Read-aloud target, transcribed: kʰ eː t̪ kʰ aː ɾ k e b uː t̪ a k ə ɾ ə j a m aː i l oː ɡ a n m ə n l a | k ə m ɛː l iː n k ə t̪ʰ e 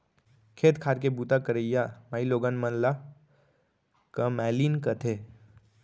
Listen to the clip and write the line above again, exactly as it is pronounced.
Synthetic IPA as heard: kʰ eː t̪ kʰ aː ɾ k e b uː t̪ a k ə ɾ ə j a m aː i l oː ɡ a n m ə n l a | k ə m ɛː l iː n k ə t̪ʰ e